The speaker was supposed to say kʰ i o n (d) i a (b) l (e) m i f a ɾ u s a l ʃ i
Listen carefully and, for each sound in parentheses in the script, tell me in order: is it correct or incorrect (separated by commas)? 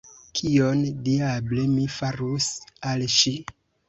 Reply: correct, correct, correct